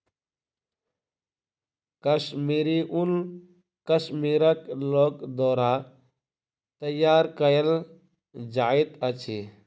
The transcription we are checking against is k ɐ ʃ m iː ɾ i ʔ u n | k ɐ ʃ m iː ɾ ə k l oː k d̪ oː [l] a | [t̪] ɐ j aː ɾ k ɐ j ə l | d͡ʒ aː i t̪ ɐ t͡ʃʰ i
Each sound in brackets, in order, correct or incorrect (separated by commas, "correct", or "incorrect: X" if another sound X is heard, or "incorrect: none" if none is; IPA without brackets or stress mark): incorrect: ɾ, correct